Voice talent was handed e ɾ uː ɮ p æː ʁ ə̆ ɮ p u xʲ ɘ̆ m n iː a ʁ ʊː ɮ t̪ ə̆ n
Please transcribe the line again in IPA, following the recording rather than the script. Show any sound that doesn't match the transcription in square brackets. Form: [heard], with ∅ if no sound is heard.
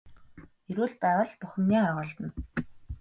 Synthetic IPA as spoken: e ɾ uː ɮ p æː ʁ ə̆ ɮ p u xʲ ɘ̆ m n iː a ʁ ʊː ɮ t̪ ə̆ n

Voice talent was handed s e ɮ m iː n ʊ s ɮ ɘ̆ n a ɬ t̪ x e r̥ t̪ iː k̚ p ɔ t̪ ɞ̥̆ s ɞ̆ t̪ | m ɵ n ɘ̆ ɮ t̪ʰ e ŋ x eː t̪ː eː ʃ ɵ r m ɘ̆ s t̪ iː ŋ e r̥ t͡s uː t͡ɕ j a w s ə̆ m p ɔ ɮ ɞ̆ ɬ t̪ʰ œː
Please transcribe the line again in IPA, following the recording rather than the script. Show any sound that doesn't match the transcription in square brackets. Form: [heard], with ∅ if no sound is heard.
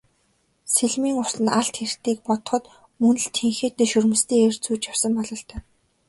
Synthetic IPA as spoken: s e ɮ m iː [ŋ] ʊ s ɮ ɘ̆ n a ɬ t̪ x e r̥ t̪ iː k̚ p ɔ t̪ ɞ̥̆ [χ] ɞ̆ t̪ | m ɵ n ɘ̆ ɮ t̪ʰ e ŋ x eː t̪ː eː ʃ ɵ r m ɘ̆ s t̪ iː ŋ e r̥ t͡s uː t͡ɕ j a w s ə̆ m p ɔ ɮ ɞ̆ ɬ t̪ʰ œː

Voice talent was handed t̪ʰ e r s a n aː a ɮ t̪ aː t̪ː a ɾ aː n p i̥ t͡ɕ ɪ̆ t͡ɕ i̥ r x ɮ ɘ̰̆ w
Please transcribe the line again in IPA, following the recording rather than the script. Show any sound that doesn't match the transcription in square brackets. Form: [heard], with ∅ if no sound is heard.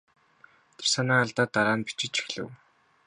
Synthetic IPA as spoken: t̪ʰ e r s a n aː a ɮ t̪ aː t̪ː a ɾ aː n p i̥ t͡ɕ ɪ̆ t͡ɕ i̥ [∅] x ɮ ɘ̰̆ w

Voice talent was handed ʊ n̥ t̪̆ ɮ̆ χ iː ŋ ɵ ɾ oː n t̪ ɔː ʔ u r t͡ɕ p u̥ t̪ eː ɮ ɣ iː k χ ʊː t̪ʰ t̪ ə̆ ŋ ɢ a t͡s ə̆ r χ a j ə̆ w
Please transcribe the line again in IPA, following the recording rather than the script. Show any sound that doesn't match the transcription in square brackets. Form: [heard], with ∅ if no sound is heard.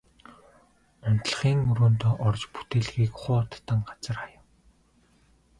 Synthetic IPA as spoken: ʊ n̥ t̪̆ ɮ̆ χ iː ŋ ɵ ɾ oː n t̪ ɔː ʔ [ɔ] r t͡ɕ p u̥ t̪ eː ɮ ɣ iː k χ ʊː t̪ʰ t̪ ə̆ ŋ ɢ a t͡s ə̆ r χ a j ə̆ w

